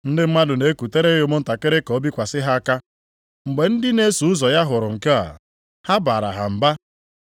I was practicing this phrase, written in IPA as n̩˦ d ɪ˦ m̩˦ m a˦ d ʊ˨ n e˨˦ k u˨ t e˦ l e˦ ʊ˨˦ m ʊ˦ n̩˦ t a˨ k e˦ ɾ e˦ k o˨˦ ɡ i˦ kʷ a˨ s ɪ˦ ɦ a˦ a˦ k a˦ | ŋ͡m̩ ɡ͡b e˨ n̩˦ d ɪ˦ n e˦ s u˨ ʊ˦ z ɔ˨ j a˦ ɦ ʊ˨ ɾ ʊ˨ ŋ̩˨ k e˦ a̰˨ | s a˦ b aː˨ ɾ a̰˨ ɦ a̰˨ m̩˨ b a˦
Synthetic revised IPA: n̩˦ d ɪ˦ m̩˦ m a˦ d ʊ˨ n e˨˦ k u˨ t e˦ ɾ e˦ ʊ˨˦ m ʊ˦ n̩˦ t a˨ k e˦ ɾ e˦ k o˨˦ b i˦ kʷ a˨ s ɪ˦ ɦ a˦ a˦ k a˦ | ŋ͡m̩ ɡ͡b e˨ n̩˦ d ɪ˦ n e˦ s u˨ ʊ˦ z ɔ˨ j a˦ ɦ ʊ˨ ɾ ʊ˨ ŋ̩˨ k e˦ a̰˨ | h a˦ b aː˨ ɾ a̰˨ ɦ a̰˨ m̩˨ b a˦